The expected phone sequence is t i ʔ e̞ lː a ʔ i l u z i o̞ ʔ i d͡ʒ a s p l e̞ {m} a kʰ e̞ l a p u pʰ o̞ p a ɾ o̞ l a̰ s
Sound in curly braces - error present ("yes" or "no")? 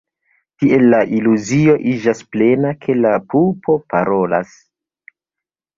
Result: yes